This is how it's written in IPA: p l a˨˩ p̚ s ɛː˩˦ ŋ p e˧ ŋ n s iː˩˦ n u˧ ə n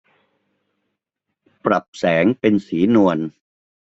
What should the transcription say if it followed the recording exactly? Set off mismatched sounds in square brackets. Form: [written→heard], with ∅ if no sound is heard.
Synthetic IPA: p [l→ɾ] a˨˩ p̚ s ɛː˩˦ ŋ p e˧ [ŋ→∅] n s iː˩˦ n u˧ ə n